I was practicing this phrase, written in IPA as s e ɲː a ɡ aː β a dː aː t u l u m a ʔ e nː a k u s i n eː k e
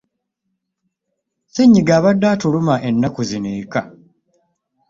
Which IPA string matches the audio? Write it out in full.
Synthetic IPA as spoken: s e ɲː i ɡ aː β a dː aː t u l u m a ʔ e nː a k u z i n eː k a